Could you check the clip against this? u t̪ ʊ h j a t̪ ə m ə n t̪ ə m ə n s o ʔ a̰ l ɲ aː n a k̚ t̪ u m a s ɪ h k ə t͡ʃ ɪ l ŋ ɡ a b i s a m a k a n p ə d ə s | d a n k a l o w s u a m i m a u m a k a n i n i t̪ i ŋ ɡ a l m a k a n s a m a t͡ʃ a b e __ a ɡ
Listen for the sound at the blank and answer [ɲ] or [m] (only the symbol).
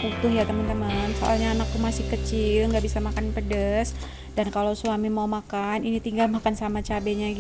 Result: ɲ